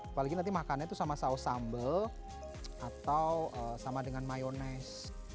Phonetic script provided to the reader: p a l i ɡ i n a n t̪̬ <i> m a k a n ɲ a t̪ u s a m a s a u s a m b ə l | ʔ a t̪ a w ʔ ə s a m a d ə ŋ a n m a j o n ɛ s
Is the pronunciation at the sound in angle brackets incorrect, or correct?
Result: correct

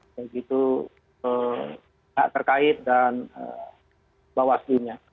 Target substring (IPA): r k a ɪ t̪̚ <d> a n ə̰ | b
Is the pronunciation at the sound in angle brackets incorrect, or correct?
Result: correct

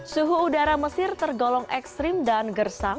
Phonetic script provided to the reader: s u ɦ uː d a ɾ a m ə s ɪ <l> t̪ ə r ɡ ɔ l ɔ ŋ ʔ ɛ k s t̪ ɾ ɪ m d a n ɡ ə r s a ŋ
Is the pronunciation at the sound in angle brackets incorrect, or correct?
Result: incorrect: r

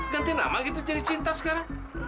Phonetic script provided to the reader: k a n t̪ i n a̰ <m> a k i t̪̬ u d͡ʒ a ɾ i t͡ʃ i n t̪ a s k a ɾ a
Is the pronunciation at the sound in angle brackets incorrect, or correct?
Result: correct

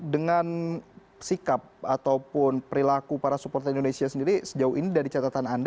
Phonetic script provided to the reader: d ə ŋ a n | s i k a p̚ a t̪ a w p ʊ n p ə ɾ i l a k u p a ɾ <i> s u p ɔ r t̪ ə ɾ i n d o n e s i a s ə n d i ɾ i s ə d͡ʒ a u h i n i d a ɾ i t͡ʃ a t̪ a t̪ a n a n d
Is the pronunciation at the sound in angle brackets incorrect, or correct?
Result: incorrect: a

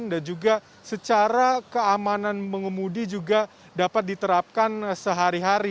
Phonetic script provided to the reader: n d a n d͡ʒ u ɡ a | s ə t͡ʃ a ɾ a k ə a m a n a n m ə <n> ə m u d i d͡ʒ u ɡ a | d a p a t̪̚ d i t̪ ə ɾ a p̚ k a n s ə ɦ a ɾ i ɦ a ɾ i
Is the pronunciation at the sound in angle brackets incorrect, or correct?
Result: incorrect: ŋ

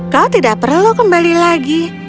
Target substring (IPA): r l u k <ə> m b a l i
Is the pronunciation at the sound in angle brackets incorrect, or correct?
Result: correct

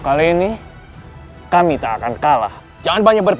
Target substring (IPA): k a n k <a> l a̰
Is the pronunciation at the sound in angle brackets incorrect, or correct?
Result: correct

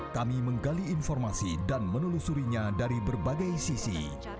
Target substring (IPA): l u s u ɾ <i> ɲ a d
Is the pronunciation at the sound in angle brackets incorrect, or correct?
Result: correct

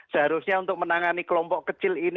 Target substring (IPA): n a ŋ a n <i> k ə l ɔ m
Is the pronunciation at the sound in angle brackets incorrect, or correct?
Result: correct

